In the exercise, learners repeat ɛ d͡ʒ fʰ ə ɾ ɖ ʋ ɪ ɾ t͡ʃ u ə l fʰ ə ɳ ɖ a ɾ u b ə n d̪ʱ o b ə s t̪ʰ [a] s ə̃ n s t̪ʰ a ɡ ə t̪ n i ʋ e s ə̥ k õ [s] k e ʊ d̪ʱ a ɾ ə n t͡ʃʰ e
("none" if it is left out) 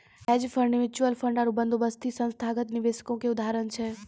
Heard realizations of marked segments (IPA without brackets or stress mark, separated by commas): i, none